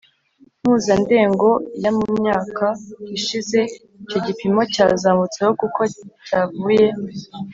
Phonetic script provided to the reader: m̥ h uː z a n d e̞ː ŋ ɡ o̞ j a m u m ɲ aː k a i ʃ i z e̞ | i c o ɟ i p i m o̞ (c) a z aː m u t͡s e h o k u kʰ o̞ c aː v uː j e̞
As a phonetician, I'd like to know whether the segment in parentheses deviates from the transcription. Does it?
no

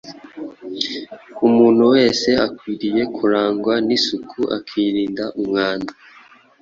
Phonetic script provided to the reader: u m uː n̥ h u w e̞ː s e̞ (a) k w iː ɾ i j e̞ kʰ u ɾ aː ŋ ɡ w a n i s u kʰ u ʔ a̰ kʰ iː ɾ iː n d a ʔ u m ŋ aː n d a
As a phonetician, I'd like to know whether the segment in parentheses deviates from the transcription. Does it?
no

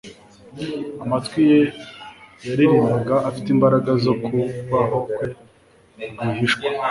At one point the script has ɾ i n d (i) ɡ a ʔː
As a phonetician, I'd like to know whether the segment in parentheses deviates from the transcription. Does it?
yes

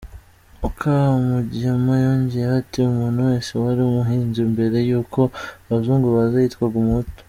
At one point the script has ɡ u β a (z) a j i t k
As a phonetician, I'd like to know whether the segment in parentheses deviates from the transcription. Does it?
no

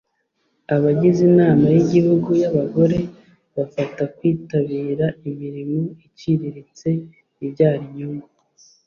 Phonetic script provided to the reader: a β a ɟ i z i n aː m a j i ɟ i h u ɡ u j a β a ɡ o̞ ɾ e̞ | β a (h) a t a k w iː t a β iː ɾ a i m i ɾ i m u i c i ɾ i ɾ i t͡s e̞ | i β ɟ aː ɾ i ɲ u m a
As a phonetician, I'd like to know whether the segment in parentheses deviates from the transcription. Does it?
yes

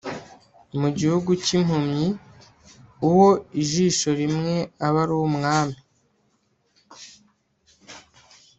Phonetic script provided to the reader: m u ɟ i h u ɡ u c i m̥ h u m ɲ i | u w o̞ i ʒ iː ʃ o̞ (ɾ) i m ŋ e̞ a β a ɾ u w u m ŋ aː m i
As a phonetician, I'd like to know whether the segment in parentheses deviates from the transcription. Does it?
no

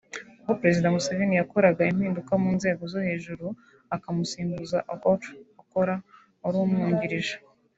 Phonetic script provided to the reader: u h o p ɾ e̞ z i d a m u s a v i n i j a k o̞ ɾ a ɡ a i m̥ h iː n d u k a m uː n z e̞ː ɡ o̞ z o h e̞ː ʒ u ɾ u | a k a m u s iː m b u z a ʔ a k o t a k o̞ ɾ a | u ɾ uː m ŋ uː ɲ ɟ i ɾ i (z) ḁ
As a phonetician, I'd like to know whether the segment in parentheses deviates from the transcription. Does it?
yes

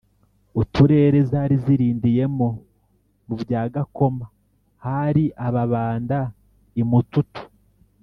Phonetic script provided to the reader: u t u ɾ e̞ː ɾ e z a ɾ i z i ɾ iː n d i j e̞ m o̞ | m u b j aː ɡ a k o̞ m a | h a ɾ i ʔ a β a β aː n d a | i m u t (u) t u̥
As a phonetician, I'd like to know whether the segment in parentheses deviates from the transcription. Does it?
no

